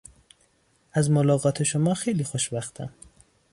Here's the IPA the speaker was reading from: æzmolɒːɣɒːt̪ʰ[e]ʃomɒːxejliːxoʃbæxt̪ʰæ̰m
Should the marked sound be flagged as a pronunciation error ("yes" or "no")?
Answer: no